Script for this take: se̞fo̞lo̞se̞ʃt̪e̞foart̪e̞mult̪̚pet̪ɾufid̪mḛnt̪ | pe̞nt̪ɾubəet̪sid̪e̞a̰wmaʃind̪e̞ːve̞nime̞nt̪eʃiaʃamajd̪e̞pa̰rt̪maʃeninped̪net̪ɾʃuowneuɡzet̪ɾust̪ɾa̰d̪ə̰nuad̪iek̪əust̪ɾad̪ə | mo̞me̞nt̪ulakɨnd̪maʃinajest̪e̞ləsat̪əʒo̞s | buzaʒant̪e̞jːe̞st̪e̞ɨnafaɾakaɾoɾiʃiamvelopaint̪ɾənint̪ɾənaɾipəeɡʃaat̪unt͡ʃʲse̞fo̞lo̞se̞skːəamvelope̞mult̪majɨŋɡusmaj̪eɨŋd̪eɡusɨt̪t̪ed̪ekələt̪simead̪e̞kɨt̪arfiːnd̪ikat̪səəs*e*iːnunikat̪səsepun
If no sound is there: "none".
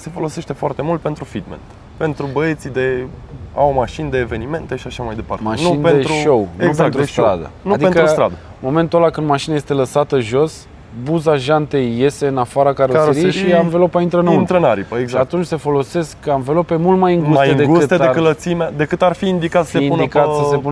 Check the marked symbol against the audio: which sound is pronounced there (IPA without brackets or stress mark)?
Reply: e